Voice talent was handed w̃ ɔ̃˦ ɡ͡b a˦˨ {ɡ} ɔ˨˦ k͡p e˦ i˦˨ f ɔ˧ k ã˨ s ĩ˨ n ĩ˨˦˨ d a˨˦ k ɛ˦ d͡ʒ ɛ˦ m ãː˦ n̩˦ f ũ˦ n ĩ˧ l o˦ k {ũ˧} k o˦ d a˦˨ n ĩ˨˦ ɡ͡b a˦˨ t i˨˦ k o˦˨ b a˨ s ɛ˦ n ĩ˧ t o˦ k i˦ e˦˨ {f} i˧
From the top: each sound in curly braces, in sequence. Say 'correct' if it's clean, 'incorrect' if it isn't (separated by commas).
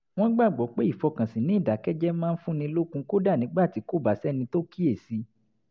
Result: incorrect, correct, incorrect